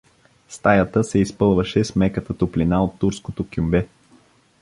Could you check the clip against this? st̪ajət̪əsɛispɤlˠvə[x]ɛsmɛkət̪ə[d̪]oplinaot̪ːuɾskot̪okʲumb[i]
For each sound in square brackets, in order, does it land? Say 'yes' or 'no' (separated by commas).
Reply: no, no, no